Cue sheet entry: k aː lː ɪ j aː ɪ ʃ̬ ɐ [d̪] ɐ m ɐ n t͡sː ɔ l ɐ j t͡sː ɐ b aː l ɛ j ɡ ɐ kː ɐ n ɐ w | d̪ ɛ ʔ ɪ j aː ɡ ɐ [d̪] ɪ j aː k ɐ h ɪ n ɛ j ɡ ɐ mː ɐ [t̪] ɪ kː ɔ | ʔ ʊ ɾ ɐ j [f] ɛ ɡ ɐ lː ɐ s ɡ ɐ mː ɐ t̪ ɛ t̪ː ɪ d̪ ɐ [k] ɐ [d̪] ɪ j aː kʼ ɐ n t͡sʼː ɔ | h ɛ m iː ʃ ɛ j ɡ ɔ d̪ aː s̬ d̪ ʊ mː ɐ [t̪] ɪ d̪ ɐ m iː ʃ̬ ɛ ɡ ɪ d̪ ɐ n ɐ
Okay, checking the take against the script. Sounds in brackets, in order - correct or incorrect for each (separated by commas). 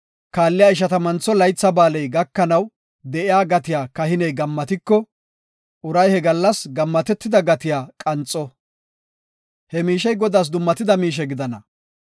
incorrect, incorrect, correct, incorrect, incorrect, incorrect, correct